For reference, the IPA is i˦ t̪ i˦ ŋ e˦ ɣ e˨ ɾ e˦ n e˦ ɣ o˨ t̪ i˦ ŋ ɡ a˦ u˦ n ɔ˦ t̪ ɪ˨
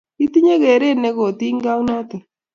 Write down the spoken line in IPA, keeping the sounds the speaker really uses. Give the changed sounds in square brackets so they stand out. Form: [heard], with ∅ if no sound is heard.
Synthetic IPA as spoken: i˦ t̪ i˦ [ɲ] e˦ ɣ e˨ ɾ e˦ n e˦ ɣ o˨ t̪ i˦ ŋ ɡ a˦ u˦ n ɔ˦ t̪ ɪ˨